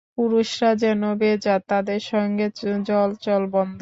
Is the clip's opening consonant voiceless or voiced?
voiceless